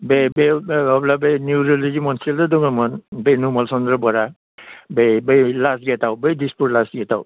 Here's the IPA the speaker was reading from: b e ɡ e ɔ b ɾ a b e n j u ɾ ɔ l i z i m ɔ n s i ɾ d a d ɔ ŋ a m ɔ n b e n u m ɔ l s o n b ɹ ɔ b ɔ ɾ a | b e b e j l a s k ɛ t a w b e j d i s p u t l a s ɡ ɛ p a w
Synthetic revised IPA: b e b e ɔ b l a b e n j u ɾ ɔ l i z i m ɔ n s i l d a d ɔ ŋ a m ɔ n b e n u m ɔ l s ɔ n d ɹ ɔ b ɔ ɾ a | b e b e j l a s ɡ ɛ t a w b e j d i s p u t l a s ɡ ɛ t a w